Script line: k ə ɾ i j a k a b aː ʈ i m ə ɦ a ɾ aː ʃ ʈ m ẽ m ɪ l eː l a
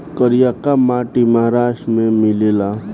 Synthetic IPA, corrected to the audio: k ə ɾ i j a k a m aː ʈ i m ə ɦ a ɾ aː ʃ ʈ m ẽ m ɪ l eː l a